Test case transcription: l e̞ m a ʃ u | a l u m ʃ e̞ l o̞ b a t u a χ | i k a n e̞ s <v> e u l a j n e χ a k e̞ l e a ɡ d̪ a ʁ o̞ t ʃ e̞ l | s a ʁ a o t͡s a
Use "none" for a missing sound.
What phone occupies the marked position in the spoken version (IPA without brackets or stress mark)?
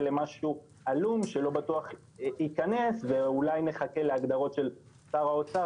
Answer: v